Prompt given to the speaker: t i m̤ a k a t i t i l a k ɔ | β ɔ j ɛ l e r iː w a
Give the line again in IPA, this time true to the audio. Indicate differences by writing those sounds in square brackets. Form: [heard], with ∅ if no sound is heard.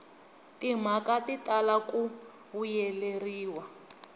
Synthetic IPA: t i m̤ a k a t i t [a] l a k [u] | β [u] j ɛ l e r iː w a